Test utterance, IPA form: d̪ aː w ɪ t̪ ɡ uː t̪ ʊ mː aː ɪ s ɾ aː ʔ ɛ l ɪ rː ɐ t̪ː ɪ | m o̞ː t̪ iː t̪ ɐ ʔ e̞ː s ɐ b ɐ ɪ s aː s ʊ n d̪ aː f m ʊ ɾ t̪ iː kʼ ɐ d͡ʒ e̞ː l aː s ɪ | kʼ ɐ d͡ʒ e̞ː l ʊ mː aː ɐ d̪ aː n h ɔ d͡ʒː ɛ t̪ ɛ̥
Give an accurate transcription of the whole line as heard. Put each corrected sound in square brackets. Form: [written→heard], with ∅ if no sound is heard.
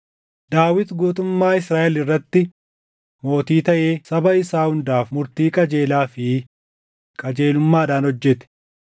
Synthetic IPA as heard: d̪ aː w ɪ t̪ ɡ uː t̪ ʊ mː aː ɪ s ɾ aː ʔ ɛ l ɪ rː ɐ t̪ː ɪ | m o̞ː t̪ iː t̪ ɐ ʔ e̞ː s ɐ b ɐ ɪ s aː [s→h] ʊ n d̪ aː f m ʊ ɾ t̪ iː kʼ ɐ d͡ʒ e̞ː l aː [s→f] ɪ | kʼ ɐ d͡ʒ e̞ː l ʊ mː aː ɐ d̪ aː n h ɔ d͡ʒː ɛ t̪ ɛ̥